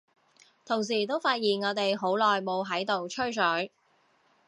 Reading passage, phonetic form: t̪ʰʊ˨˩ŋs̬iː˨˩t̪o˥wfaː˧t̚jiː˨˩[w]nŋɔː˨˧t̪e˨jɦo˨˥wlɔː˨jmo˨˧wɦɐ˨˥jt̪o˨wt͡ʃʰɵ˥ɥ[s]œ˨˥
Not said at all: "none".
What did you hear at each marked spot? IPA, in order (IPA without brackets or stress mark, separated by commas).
none, s